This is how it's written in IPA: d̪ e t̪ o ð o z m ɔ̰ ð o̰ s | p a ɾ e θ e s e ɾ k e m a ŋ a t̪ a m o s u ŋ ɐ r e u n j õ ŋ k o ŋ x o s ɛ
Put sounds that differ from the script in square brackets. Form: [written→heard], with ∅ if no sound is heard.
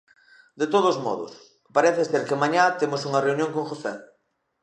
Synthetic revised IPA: d̪ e t̪ o ð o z m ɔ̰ ð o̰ s | p a ɾ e θ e s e ɾ k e m a [ŋ→ɲ] a t̪ [a→e] m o s u ŋ ɐ r e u n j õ ŋ k o ŋ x o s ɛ